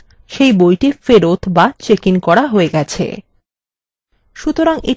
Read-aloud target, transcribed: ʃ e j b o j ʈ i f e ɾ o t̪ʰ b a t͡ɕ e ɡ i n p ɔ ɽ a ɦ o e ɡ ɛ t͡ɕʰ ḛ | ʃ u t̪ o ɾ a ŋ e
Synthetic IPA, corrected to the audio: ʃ e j b o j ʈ i f e ɾ o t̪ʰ b a t͡ɕ e k i n k ɔ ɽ a ɦ o e ɡ ɛ t͡ɕʰ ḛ | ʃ u t̪ o ɾ a ŋ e